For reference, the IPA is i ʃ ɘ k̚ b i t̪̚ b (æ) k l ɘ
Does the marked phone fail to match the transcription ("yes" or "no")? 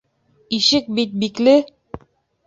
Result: yes